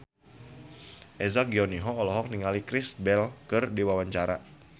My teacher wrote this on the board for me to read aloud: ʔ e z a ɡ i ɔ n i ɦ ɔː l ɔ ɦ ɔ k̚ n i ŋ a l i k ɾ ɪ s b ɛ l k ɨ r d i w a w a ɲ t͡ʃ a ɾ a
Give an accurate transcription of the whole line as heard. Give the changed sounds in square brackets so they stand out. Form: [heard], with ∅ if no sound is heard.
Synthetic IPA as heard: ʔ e z a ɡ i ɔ n i ɦ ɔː l ɔ ɦ ɔ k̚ n i ŋ a l i k ɾ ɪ s b ɛ l k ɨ r d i w a w a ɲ t͡ʃ a ɾ a